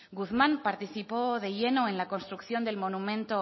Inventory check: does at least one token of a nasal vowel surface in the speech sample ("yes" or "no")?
yes